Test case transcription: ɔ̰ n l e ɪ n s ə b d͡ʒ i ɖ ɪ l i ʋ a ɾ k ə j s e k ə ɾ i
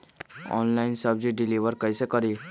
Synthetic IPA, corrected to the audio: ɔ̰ n l a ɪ n s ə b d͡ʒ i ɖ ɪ l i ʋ ə ɾ k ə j s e k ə ɾ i